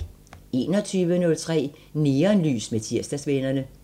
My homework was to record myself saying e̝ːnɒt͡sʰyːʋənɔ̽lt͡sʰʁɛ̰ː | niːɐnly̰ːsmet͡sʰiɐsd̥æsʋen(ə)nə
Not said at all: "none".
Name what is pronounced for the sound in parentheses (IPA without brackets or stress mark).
ɐ